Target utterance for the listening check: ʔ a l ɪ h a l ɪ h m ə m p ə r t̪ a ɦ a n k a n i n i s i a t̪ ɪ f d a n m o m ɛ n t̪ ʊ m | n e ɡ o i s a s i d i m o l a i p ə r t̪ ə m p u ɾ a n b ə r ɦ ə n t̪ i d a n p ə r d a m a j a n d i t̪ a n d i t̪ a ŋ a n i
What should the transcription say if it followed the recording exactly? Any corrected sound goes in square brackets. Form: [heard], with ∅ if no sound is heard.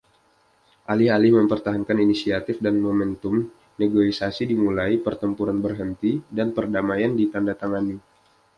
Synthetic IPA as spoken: ʔ a l ɪ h a l ɪ h m ə m p ə r t̪ a ɦ a n k a n i n i s i a t̪ ɪ f d a n m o m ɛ n t̪ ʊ m | n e ɡ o i s a s i d i m [u] l a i p ə r t̪ ə m p u ɾ a n b ə r ɦ ə n t̪ i d a n p ə r d a m a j a n d i t̪ a n d [a] t̪ a ŋ a n i